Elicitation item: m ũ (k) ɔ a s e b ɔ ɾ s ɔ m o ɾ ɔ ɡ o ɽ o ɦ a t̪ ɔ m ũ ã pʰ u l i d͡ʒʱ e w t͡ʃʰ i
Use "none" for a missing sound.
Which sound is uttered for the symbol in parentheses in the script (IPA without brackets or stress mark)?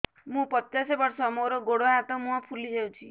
p